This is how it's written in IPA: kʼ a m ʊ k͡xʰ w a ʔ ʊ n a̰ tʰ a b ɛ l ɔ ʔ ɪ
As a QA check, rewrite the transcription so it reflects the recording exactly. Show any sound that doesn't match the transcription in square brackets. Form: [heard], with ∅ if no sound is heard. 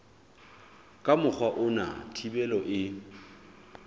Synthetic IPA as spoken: kʼ a m ʊ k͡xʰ w a ʔ ʊ n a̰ tʰ [i] b ɛ l ɔ ʔ ɪ